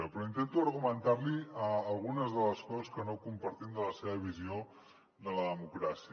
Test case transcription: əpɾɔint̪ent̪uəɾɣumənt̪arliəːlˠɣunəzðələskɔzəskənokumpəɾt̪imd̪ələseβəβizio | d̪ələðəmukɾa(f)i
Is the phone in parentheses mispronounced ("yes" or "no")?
yes